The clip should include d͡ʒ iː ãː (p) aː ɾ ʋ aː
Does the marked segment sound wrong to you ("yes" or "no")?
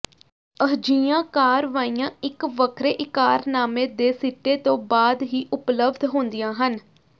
yes